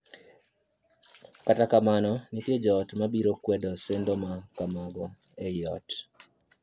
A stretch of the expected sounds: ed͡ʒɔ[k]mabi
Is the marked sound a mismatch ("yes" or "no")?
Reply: yes